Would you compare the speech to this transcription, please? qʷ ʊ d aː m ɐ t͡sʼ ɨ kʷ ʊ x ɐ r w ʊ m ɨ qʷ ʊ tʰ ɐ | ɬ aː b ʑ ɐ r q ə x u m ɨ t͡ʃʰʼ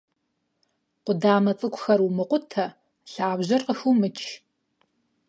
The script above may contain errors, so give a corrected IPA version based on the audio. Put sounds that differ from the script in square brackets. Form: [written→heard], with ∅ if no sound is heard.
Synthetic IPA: qʷ ʊ d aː m ɐ t͡sʼ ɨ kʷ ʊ x ɐ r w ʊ m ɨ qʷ ʊ tʰ ɐ | ɬ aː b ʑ ɐ r q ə x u m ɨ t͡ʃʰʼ